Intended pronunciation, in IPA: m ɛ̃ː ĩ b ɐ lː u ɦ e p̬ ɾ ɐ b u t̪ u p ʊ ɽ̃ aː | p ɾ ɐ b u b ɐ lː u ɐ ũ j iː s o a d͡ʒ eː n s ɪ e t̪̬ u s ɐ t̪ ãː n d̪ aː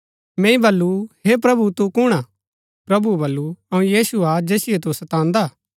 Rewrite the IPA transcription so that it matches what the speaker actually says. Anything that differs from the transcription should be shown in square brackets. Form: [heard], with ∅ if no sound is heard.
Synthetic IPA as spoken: m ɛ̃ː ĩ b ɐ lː u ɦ e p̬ ɾ ɐ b u t̪ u [k] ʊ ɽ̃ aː | p ɾ ɐ b u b ɐ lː u ɐ ũ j iː s [u] a d͡ʒ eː [∅] s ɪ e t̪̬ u s ɐ t̪ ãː n d̪ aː